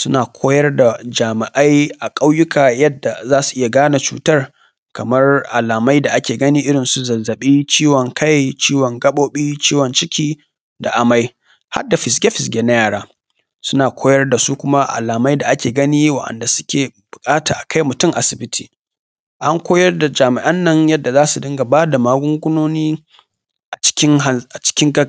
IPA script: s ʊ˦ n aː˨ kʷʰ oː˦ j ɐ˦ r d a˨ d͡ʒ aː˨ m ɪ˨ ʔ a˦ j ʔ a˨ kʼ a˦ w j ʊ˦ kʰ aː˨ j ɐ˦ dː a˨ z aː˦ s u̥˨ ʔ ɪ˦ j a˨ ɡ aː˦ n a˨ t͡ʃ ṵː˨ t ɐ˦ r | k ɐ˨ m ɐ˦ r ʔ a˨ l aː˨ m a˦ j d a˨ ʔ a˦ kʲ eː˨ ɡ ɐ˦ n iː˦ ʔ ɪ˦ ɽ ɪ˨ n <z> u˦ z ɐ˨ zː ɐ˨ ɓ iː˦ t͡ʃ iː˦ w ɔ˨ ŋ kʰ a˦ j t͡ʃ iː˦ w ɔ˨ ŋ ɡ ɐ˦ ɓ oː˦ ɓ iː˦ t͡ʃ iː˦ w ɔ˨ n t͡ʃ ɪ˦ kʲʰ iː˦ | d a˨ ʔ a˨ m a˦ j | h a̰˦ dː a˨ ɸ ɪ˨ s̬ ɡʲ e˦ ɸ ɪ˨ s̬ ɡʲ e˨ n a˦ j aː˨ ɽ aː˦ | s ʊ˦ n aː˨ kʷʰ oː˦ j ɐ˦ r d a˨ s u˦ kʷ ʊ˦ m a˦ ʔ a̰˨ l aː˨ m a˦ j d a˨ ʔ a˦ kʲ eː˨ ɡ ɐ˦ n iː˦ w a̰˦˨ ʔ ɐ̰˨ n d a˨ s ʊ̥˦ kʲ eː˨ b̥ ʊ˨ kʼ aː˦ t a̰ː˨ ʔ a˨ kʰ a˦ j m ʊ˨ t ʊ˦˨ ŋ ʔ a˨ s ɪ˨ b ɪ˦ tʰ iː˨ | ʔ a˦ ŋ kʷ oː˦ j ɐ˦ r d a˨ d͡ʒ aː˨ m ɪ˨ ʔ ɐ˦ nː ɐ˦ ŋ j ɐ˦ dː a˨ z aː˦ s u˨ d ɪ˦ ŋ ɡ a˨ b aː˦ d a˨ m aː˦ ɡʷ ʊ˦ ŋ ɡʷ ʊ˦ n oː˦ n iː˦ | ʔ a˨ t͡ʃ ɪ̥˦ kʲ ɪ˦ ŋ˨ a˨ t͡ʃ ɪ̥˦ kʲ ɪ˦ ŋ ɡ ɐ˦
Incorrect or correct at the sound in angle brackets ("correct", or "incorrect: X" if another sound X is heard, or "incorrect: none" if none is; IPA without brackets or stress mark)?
incorrect: s